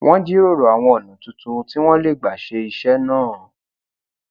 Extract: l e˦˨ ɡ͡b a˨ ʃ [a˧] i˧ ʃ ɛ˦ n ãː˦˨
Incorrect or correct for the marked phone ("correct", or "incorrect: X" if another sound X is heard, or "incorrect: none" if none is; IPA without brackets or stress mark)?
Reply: incorrect: e˧